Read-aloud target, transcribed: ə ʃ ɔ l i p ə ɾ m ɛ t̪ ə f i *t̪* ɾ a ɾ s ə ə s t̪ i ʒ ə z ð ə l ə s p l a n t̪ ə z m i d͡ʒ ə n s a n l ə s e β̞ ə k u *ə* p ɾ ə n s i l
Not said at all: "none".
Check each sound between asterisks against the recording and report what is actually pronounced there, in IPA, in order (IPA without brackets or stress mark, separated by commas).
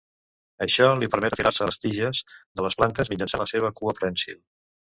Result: none, ə